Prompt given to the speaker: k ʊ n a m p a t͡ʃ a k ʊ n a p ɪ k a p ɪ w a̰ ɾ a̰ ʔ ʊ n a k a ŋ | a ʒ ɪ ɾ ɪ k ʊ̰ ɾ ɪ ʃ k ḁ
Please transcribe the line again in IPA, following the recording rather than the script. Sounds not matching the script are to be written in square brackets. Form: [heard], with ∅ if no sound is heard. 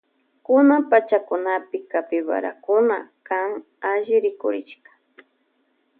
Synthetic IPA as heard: k ʊ n a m p a t͡ʃ a k ʊ n a p ɪ k a p ɪ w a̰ ɾ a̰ [k] ʊ n a k a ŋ | a ʒ ɪ ɾ ɪ k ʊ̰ ɾ ɪ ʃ k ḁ